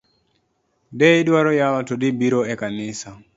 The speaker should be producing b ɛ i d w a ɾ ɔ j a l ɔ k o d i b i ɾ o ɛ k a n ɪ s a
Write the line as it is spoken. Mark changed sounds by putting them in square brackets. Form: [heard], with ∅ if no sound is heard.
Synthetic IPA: [d] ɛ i d w a ɾ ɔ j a l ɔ [t] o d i b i ɾ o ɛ k a n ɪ s a